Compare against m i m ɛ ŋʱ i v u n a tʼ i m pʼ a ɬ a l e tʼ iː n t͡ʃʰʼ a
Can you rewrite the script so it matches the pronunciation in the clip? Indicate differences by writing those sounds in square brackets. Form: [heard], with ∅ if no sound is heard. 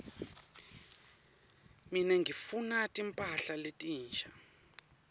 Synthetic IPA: m i [n] ɛ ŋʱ i [f] u n a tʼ i m pʼ a ɬ a l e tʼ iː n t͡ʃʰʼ a